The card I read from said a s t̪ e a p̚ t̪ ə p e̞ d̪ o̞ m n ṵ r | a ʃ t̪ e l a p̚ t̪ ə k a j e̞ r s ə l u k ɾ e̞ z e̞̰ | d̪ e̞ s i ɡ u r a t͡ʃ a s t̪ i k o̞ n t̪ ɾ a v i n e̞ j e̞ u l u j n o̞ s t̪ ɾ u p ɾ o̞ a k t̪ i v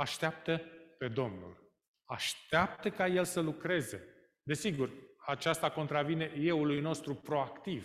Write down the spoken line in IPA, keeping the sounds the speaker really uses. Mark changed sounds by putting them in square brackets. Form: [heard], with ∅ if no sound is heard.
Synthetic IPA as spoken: a [ʃ] t̪ e a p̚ t̪ ə p e̞ d̪ o̞ m n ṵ [l] | a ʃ t̪ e [∅] a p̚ t̪ ə k a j e̞ [l] s ə l u k ɾ e̞ z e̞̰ | d̪ e̞ s i ɡ u r a t͡ʃ a s t̪ [a] k o̞ n t̪ ɾ a v i n e̞ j e̞ u l u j n o̞ s t̪ ɾ u p ɾ o̞ a k t̪ i v